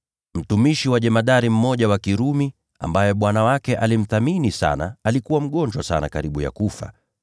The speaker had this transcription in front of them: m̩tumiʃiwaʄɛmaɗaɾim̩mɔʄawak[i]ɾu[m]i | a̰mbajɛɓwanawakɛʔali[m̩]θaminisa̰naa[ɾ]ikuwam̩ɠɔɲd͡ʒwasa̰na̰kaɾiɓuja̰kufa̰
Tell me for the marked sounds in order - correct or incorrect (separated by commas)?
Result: correct, correct, correct, incorrect